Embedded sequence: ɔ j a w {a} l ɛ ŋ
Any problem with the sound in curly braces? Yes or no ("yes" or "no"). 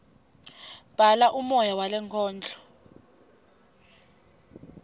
no